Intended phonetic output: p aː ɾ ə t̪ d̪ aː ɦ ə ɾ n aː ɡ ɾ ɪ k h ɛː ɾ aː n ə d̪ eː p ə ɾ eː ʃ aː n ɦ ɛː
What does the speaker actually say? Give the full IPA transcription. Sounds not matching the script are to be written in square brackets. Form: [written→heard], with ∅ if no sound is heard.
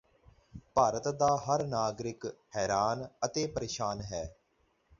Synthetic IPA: p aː ɾ ə t̪ d̪ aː ɦ ə ɾ n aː ɡ ɾ ɪ k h ɛː ɾ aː n ə [d̪→t̪] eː p ə ɾ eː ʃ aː n ɦ ɛː